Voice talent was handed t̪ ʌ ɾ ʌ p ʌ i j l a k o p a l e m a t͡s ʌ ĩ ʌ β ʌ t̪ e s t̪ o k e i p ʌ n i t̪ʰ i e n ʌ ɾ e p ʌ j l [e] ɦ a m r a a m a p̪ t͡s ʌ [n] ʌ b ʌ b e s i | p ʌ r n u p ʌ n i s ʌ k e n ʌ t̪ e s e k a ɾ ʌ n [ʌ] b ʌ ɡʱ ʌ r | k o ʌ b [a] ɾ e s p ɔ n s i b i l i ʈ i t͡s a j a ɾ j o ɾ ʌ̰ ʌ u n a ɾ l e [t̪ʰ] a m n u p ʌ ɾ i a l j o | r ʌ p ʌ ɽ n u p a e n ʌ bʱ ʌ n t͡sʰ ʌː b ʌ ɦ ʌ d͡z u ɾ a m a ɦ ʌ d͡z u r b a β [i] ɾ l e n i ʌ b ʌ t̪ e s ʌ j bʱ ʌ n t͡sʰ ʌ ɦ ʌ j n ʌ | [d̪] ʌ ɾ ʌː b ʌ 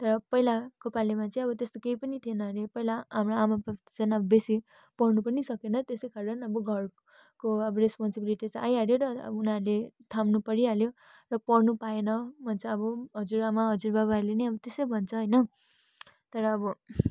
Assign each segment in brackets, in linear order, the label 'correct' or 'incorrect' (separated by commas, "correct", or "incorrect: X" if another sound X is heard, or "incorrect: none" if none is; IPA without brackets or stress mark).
incorrect: a, correct, correct, incorrect: ʌ, correct, incorrect: a, incorrect: t̪